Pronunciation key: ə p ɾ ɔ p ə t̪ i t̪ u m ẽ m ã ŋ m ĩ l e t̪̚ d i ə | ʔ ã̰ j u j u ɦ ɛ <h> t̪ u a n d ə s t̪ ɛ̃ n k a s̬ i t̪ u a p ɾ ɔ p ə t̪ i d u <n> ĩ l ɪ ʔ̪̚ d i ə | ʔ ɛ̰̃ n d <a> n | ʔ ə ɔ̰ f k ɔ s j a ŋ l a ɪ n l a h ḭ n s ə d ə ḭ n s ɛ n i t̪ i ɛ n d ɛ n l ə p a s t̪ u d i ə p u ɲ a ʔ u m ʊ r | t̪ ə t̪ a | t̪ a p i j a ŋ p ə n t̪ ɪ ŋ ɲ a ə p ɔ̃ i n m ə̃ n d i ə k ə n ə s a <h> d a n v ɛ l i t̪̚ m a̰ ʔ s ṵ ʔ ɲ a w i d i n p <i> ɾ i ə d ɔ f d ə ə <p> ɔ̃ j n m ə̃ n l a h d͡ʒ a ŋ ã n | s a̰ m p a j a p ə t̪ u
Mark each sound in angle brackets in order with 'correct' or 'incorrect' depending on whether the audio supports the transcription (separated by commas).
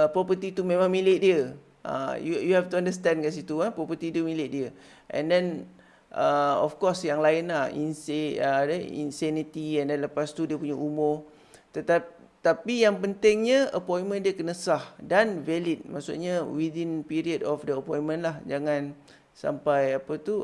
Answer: incorrect, incorrect, incorrect, correct, correct, correct